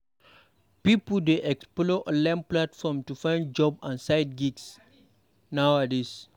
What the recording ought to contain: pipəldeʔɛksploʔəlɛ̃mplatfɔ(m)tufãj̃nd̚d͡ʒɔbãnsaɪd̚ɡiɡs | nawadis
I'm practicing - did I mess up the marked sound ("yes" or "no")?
no